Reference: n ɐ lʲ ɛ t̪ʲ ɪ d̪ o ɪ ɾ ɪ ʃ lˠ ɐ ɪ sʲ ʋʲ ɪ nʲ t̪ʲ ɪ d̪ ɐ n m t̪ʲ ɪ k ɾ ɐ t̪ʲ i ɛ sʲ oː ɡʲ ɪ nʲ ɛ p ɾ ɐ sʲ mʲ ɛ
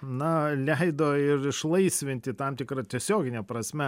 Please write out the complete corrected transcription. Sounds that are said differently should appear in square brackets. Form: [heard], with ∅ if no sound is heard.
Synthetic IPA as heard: n ɐ lʲ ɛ [∅] ɪ d̪ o ɪ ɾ ɪ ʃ lˠ ɐ ɪ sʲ ʋʲ ɪ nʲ t̪ʲ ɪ [t̪] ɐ [∅] m t̪ʲ ɪ k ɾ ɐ t̪ʲ i ɛ sʲ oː ɡʲ ɪ nʲ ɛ p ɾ ɐ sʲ mʲ ɛ

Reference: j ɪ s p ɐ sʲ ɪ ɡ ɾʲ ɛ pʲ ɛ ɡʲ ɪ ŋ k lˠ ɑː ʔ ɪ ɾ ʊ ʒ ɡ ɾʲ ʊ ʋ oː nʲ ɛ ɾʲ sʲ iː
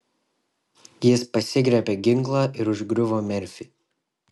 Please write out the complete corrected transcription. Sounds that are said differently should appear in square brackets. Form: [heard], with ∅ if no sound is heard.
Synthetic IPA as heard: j ɪ s p ɐ sʲ ɪ ɡ ɾʲ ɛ pʲ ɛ ɡʲ ɪ ŋ k lˠ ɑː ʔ ɪ ɾ ʊ ʒ ɡ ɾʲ ʊ ʋ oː [mʲ] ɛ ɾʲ [fʲ] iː

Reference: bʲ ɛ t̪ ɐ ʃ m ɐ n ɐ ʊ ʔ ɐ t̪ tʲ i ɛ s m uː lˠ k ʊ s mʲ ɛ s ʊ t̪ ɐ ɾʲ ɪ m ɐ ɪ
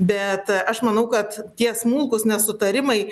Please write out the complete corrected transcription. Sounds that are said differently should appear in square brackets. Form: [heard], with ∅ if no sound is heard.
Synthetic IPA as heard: bʲ ɛ t̪ ɐ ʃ m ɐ n ɐ ʊ [k] ɐ t̪ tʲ i ɛ s m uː lˠ k ʊ s [nʲ] ɛ s ʊ t̪ ɐ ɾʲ ɪ m ɐ ɪ

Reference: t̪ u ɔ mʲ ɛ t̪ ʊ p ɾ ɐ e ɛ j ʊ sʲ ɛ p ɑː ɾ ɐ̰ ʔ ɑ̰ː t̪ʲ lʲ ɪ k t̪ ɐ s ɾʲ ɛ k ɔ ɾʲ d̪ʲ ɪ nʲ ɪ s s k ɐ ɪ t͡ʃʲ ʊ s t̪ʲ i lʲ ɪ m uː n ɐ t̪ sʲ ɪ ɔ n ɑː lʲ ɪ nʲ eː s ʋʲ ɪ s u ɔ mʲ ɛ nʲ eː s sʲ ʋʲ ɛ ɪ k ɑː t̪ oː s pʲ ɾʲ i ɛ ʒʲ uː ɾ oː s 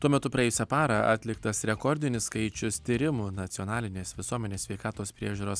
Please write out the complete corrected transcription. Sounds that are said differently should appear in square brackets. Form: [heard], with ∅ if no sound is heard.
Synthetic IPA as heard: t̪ u ɔ mʲ ɛ t̪ ʊ p ɾ ɐ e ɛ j ʊ sʲ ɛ p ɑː ɾ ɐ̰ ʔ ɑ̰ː t̪ʲ lʲ ɪ k t̪ ɐ s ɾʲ ɛ k ɔ ɾʲ d̪ʲ ɪ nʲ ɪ s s k ɐ ɪ t͡ʃʲ ʊ s t̪ʲ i [ɾʲ] ɪ m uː n ɐ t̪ sʲ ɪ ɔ n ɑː lʲ ɪ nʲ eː s ʋʲ ɪ s u ɔ mʲ ɛ nʲ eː s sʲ ʋʲ ɛ ɪ k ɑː t̪ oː s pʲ ɾʲ i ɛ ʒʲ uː ɾ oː s

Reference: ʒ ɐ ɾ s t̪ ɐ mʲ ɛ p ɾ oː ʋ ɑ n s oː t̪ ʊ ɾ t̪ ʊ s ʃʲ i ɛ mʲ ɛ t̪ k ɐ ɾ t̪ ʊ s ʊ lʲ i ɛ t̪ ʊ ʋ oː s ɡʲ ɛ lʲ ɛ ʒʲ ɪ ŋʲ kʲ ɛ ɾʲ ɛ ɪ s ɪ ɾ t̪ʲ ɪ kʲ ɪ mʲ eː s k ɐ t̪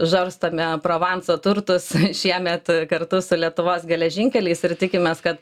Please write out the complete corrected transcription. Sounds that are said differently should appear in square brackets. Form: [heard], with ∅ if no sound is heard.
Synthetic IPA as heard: ʒ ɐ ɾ s t̪ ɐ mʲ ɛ p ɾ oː ʋ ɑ n s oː t̪ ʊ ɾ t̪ ʊ s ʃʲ i ɛ mʲ ɛ t̪ k ɐ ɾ t̪ ʊ s ʊ lʲ i ɛ t̪ ʊ ʋ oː s ɡʲ ɛ lʲ ɛ ʒʲ ɪ ŋʲ kʲ ɛ [lʲ] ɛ ɪ s ɪ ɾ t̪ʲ ɪ kʲ ɪ mʲ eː s k ɐ t̪

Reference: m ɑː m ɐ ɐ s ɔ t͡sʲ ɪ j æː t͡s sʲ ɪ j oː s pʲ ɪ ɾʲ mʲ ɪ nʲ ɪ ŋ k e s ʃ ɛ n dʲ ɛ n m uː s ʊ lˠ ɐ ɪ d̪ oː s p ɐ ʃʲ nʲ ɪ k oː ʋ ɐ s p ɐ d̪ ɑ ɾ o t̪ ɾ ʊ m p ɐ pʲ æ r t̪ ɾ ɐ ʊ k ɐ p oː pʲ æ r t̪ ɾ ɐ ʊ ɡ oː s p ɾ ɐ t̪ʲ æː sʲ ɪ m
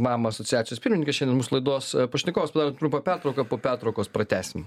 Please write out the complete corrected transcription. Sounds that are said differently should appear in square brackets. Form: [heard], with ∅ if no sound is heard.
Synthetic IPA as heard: m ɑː m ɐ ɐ s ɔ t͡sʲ ɪ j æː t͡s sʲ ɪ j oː s pʲ ɪ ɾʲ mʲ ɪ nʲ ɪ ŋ k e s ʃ ɛ n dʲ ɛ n m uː s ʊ lˠ ɐ ɪ d̪ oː s p ɐ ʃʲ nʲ ɪ k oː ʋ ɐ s p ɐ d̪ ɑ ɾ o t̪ ɾ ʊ m p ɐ pʲ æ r t̪ ɾ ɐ ʊ k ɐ p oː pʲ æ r t̪ ɾ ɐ ʊ [k] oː s p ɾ ɐ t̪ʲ æː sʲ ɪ m

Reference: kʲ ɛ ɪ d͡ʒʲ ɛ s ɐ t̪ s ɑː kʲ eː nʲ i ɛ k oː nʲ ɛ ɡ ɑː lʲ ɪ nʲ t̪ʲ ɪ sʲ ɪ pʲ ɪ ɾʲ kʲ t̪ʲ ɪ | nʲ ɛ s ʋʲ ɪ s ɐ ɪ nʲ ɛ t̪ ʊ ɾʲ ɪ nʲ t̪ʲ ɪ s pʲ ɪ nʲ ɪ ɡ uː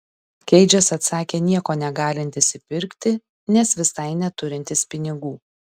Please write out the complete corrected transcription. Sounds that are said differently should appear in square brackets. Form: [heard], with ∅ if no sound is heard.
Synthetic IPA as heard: kʲ ɛ ɪ d͡ʒʲ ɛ s ɐ t̪ s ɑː kʲ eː nʲ i ɛ k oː nʲ ɛ ɡ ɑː lʲ ɪ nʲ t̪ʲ ɪ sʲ ɪ pʲ ɪ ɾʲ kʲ t̪ʲ ɪ | nʲ ɛ s ʋʲ ɪ s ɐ ɪ nʲ ɛ t̪ ʊ ɾʲ ɪ nʲ t̪ʲ ɪ s pʲ ɪ nʲ ɪ ɡ uː

